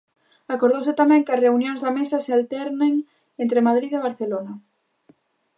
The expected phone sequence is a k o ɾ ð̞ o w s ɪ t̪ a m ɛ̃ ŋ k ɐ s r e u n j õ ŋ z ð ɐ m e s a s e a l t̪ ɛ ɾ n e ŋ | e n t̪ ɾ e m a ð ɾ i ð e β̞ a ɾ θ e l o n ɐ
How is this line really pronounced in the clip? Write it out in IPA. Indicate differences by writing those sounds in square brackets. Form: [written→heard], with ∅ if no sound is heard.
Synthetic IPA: a k o ɾ ð̞ o w s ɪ t̪ a m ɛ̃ ŋ k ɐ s r e u n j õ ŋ z ð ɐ m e s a s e a l t̪ ɛ ɾ n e ŋ | e n t̪ ɾ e m a ð ɾ i ð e β̞ a ɾ θ e l o n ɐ